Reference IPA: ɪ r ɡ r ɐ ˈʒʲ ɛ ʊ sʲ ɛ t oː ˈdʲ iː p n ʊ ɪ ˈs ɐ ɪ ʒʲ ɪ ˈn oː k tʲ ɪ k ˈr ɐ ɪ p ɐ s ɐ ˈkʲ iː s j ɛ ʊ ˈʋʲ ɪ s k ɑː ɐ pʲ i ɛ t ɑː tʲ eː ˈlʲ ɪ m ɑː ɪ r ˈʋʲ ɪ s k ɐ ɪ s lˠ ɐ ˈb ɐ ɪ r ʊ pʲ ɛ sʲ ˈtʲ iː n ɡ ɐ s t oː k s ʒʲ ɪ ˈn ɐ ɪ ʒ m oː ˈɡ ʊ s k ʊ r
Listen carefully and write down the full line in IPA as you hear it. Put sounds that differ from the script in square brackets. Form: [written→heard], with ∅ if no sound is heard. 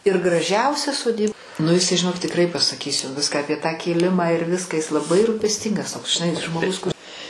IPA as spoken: ɪ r ɡ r ɐ ˈʒʲ ɛ ʊ sʲ ɛ [t→s] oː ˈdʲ iː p n ʊ ɪ ˈs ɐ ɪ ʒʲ ɪ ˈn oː k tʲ ɪ k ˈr ɐ ɪ p ɐ s ɐ ˈkʲ iː s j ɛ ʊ ˈʋʲ ɪ s k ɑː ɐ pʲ i ɛ t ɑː [tʲ→kʲ] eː ˈlʲ ɪ m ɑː ɪ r ˈʋʲ ɪ s k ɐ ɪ s lˠ ɐ ˈb ɐ ɪ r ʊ pʲ ɛ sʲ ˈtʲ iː [n→ŋ] ɡ ɐ s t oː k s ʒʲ ɪ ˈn ɐ ɪ ʒ m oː ˈɡ ʊ s k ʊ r